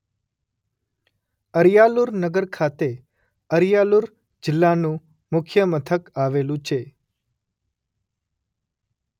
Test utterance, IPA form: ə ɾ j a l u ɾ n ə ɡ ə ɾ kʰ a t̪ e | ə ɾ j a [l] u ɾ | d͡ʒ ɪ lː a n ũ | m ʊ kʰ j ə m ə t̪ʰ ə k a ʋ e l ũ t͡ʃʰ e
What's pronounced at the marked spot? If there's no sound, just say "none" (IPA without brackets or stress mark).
l